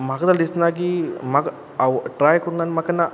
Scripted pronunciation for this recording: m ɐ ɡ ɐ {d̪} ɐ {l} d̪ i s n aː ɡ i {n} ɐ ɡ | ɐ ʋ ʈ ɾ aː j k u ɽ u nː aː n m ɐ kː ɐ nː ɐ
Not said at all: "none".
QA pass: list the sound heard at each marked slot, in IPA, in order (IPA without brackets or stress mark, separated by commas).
d̪, l, m